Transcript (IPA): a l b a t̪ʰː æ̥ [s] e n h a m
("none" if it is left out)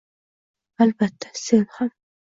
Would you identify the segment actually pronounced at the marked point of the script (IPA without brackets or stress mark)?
s